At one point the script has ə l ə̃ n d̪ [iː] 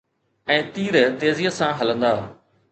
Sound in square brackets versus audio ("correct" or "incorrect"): incorrect